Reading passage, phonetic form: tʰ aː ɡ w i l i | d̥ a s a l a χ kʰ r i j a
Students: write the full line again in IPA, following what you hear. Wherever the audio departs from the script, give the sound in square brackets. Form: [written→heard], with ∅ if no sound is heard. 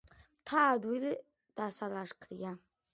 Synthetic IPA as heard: tʰ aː [ɡ→d] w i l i | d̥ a s a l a [χ→ʂ] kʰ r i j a

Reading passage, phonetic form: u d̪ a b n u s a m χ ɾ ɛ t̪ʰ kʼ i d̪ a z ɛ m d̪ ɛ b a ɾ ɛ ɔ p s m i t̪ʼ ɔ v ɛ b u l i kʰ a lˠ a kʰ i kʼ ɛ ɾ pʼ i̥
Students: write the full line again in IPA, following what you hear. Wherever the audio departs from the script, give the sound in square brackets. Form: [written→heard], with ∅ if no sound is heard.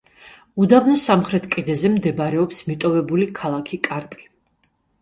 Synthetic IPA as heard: u d̪ a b n [u→ɔ] s a m χ ɾ ɛ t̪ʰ kʼ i d̪ [a→ɛ] z ɛ m d̪ ɛ b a ɾ ɛ ɔ p s m i t̪ʼ ɔ v ɛ b u l i kʰ a lˠ a kʰ i kʼ [ɛ→a] ɾ pʼ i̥

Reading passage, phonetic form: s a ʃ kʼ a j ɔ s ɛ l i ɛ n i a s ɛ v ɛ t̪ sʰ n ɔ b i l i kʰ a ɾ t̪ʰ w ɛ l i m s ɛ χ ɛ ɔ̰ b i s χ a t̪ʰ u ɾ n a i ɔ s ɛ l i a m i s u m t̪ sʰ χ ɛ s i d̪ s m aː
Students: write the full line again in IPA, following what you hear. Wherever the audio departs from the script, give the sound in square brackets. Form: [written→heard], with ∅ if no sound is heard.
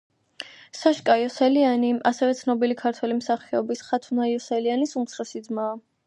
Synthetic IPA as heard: s a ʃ kʼ a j ɔ s ɛ l i [ɛ→a] n i a s ɛ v ɛ t̪ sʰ n ɔ b i l i kʰ a ɾ t̪ʰ w ɛ l i m s [ɛ→a] χ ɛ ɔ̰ b i s χ a t̪ʰ u [ɾ→∅] n a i ɔ s ɛ l i a [m→n] i s u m t̪ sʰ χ ɛ s i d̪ [s→z] m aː

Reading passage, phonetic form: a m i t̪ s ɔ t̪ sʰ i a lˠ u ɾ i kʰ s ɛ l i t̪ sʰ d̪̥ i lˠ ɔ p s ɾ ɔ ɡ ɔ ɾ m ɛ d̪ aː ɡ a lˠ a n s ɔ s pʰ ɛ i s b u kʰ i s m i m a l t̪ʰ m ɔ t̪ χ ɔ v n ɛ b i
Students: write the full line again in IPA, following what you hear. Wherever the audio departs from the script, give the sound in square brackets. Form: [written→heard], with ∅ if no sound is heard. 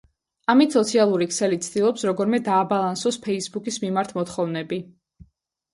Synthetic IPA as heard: a m i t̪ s ɔ t̪ sʰ i a lˠ u ɾ i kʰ s ɛ l i t̪ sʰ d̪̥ i lˠ ɔ p s ɾ ɔ ɡ ɔ ɾ m ɛ d̪ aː [ɡ→b] a lˠ a n s ɔ s pʰ ɛ i s b u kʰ i s m i m a [l→ɾ] t̪ʰ m ɔ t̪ χ ɔ v n ɛ b i

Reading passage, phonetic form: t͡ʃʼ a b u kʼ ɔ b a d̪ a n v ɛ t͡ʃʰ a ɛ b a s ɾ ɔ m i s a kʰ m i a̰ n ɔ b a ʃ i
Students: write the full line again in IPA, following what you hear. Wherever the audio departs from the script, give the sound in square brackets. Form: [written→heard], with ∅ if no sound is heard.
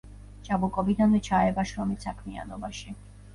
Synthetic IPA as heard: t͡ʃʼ a b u kʼ ɔ b [a→i] d̪ a n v ɛ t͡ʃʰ a ɛ b a [s→ʃ] ɾ ɔ m i s a kʰ m i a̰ n ɔ b a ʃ i

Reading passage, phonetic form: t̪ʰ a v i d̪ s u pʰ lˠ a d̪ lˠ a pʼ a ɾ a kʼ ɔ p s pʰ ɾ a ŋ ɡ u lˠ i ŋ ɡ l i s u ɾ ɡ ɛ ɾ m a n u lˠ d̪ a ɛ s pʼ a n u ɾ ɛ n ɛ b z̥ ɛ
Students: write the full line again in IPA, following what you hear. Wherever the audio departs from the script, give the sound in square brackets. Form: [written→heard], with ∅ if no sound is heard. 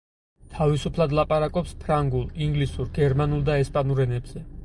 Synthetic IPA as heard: t̪ʰ a v i [d̪→∅] s u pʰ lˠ a d̪ lˠ a pʼ a ɾ a kʼ ɔ p s pʰ ɾ a ŋ ɡ u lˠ i ŋ ɡ l i s u ɾ ɡ ɛ ɾ m a n u lˠ d̪ a ɛ s pʼ a n u ɾ ɛ n ɛ b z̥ ɛ

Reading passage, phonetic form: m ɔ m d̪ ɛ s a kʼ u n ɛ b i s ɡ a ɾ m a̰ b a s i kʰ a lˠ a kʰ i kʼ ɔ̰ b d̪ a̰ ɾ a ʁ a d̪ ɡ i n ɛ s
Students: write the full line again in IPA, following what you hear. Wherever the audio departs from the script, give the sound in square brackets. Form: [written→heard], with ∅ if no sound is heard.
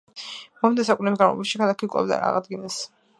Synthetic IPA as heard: m ɔ m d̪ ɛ s a kʼ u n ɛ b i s ɡ a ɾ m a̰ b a [s→ʃ] i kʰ a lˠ a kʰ i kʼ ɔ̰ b d̪ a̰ ɾ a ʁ a d̪ ɡ i n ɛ s

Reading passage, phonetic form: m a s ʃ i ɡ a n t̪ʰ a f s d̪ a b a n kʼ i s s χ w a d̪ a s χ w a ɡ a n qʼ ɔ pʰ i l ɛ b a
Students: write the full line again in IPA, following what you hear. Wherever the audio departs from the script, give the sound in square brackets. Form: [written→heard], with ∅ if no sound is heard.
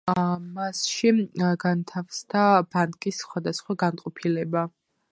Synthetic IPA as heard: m a s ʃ i ɡ a n t̪ʰ a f s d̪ a b a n kʼ i s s χ w a d̪ a s χ w a ɡ a n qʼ ɔ pʰ i l ɛ b a

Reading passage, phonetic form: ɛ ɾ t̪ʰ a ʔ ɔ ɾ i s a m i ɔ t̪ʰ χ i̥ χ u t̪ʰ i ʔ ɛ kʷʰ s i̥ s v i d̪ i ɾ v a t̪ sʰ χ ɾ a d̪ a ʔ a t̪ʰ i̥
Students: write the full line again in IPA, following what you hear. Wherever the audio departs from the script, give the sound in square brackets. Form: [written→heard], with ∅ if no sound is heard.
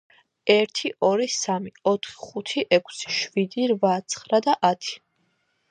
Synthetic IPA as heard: ɛ ɾ t̪ʰ [a→i] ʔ ɔ ɾ i s a m i ɔ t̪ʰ χ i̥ χ u t̪ʰ i ʔ ɛ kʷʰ s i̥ [s→ʃ] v i d̪ i ɾ v a t̪ sʰ χ ɾ a d̪ a ʔ a t̪ʰ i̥

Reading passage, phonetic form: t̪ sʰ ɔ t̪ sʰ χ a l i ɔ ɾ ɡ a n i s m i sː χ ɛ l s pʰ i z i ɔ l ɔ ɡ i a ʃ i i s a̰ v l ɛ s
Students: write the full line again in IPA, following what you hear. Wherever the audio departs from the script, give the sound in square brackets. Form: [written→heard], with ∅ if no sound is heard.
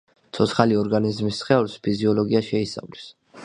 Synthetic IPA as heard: t̪ sʰ ɔ t̪ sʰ χ a l i ɔ ɾ ɡ a n i [s→z] m i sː χ ɛ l s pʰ i z i ɔ l ɔ ɡ i a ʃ [i→ɛ] i s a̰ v l ɛ s

